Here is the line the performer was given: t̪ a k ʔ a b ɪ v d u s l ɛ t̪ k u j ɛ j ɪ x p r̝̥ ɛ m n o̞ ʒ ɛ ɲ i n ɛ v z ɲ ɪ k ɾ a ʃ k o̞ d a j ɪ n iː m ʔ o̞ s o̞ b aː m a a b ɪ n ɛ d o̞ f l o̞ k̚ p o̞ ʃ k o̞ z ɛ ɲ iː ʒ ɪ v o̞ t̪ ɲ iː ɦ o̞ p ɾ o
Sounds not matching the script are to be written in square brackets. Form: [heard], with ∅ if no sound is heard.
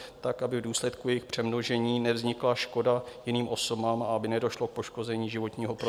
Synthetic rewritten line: t̪ a k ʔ a b ɪ v d [uː] s l ɛ t̪ k u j ɛ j ɪ x p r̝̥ ɛ m n o̞ ʒ ɛ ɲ [iː] n ɛ v z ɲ ɪ k [l] a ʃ k o̞ d a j ɪ n iː m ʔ o̞ s o̞ b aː m a a b ɪ n ɛ d o̞ [ʃ] l o̞ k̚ p o̞ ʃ k o̞ z ɛ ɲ iː ʒ ɪ v o̞ t̪ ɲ iː ɦ o̞ p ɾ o